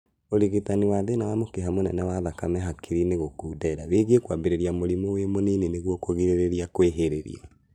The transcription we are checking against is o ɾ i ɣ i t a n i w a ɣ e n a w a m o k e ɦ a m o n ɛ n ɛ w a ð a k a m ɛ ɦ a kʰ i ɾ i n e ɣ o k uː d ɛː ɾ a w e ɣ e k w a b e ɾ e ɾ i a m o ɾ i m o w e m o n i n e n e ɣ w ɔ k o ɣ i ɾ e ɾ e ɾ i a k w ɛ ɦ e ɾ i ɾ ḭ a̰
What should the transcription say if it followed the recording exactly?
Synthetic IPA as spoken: o ɾ i ɣ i t a n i w a ð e n a w a m o k e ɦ a m o n ɛ n ɛ w a ð a k a m ɛ ɦ a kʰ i ɾ i n e ɣ o k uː d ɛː ɾ a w e ɣ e k w a b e ɾ e ɾ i a m o ɾ i m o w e m o n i n e n e ɣ w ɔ k o ɣ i ɾ e ɾ e ɾ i a k w e ɦ e ɾ e ɾ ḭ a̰